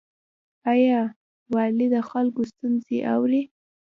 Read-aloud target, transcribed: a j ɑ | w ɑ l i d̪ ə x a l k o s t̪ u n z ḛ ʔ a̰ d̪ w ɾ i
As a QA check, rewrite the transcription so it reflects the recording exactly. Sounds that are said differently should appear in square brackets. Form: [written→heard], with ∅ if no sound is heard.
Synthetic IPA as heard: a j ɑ | w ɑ l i d̪ ə x a l k o s t̪ u n z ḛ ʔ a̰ [d̪→∅] w ɾ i